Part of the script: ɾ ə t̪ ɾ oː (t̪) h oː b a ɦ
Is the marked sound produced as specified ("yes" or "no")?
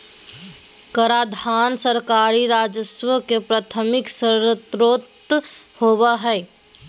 yes